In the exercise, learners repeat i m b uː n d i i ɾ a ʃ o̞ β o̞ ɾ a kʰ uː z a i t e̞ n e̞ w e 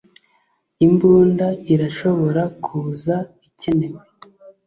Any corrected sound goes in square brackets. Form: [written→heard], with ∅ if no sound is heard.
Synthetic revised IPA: i m b uː n d [i→a] i ɾ a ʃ o̞ β o̞ ɾ a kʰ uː z a i [t→c] e̞ n e̞ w e